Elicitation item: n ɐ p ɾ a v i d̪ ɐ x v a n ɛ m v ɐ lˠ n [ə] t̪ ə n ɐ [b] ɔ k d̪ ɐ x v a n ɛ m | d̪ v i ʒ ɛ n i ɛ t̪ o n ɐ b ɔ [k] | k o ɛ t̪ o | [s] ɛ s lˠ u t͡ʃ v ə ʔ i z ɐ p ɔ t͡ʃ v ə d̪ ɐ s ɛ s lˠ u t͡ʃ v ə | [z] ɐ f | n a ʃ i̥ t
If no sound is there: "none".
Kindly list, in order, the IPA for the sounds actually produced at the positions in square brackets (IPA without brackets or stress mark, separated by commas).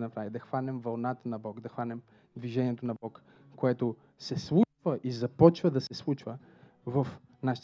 a, b, k, s, v